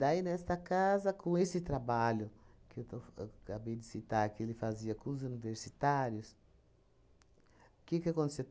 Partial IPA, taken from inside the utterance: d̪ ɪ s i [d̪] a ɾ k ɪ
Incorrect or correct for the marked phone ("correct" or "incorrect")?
incorrect